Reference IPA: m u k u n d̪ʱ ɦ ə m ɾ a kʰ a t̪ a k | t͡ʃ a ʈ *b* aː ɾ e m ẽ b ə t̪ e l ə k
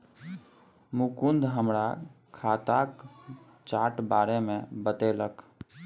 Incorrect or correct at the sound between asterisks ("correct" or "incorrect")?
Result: correct